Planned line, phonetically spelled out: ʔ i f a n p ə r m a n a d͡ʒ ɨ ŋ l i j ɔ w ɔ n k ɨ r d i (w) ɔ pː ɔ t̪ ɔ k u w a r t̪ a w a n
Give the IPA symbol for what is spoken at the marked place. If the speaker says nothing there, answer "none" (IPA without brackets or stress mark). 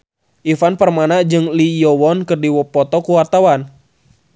w